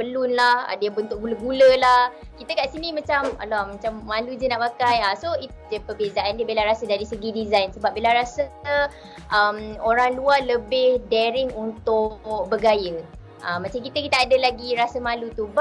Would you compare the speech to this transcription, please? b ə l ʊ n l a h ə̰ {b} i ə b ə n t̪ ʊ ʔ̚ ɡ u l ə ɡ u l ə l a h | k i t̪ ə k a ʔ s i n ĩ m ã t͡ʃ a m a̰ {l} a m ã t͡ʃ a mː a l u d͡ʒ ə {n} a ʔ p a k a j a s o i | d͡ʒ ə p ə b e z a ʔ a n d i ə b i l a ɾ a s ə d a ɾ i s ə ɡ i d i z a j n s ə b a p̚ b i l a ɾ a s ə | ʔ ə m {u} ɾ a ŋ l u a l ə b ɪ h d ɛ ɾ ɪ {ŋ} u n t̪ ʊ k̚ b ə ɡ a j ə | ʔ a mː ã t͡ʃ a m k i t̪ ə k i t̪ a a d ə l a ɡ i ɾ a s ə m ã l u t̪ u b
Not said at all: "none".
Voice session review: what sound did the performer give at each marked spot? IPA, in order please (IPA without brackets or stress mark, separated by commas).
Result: d, l, n, o, ŋ